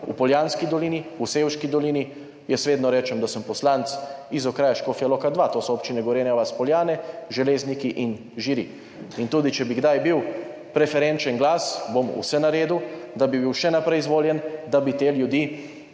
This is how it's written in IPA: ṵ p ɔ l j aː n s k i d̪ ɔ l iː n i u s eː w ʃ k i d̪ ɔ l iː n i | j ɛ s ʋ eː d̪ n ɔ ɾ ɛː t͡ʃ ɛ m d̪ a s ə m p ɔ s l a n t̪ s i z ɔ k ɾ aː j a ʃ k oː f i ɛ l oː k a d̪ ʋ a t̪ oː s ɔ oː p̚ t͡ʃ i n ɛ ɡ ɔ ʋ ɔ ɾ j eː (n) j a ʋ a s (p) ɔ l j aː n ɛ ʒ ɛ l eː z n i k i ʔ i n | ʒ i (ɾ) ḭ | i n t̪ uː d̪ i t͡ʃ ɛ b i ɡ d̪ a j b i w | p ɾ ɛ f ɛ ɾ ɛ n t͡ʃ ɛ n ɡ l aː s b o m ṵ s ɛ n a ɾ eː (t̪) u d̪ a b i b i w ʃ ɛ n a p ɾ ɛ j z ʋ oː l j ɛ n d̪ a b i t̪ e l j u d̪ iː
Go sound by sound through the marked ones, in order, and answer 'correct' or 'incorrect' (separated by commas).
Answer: correct, correct, correct, incorrect